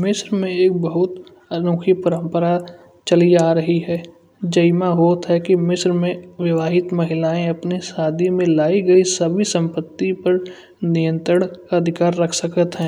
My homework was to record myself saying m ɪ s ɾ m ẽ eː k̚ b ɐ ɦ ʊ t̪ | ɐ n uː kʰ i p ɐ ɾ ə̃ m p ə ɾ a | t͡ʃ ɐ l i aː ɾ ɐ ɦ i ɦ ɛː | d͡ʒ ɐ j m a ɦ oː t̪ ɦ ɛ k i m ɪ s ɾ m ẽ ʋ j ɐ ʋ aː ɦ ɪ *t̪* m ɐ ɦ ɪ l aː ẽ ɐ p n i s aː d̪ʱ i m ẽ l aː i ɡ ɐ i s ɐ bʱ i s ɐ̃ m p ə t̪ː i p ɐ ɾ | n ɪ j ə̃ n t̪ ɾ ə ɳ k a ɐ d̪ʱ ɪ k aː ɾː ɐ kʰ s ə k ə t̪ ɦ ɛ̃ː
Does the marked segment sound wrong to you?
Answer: no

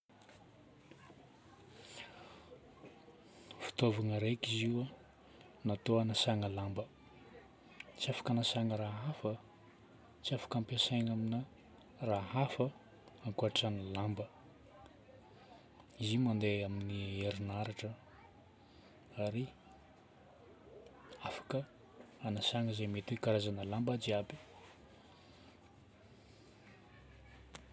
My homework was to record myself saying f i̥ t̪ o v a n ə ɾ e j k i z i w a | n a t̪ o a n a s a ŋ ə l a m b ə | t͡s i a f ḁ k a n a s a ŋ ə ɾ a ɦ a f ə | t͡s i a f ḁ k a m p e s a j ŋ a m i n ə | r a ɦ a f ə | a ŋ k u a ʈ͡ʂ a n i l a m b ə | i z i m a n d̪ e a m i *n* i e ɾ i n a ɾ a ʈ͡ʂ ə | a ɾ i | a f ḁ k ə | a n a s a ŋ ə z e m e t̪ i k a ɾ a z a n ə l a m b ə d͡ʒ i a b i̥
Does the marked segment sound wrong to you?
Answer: no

